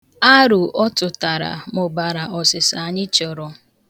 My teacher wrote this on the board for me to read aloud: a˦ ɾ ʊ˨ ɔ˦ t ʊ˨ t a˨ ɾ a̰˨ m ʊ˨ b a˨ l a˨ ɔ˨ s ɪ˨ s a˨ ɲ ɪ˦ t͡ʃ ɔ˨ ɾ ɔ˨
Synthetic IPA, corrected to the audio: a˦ ɾ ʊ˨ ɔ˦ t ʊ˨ t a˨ ɾ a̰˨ m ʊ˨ b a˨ ɾ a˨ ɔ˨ s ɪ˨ s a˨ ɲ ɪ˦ t͡ʃ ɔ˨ ɾ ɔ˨